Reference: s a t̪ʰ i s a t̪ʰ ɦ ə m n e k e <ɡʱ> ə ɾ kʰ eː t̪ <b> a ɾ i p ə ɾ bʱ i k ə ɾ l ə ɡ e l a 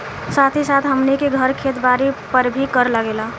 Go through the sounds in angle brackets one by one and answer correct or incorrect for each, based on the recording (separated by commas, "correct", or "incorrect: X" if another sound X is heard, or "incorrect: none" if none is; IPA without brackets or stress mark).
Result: correct, correct